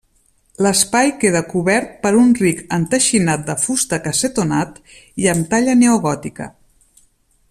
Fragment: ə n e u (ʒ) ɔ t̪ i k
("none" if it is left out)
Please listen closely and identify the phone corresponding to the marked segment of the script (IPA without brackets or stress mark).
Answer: ɣ